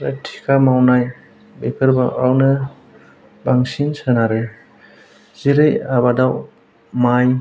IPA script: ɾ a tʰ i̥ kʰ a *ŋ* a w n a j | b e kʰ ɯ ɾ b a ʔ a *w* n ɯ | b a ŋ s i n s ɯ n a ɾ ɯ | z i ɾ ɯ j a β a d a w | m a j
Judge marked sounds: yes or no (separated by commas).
no, yes